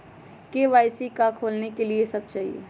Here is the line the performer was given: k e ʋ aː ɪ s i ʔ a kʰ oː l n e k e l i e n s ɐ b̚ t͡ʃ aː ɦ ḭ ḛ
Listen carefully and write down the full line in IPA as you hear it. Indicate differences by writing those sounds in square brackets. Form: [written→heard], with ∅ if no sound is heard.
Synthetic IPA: k e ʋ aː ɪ s i [ʔ→k] a kʰ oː l n e k e l i e [n→∅] s ɐ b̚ t͡ʃ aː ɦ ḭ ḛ